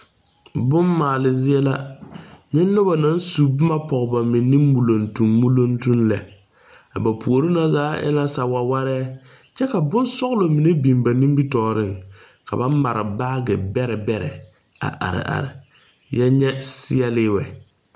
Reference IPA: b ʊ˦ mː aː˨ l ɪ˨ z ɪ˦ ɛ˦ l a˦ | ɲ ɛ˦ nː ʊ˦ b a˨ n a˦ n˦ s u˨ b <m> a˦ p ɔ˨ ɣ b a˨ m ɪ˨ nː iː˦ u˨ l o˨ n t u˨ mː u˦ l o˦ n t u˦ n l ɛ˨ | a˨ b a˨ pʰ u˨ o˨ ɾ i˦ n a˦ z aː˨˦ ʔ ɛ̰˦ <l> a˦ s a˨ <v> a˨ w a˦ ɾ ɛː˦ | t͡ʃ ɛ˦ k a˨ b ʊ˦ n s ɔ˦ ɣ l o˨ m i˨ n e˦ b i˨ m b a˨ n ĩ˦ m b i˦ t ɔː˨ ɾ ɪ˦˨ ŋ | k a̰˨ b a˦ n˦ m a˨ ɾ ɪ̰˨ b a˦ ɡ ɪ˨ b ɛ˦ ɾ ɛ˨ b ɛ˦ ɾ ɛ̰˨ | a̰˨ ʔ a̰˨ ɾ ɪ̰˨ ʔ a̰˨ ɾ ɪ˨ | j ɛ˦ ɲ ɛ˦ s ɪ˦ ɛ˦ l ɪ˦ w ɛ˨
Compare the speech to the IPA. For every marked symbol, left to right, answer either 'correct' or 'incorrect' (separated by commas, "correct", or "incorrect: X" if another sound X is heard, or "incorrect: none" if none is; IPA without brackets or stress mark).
correct, correct, incorrect: w